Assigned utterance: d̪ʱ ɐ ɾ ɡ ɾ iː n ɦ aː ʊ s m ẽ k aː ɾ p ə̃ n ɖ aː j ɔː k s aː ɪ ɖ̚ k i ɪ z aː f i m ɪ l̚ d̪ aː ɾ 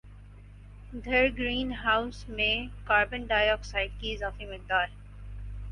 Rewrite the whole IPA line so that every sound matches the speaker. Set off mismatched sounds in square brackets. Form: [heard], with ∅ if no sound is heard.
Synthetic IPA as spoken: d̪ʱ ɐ ɾ ɡ ɾ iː n ɦ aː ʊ s m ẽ k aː ɾ [b] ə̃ n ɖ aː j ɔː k s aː ɪ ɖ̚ k i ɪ z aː f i m ɪ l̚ d̪ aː ɾ